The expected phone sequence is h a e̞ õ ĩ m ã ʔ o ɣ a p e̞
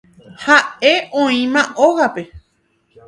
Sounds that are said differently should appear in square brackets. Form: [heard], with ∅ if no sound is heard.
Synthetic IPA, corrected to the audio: h a e̞ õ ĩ m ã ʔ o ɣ a p e̞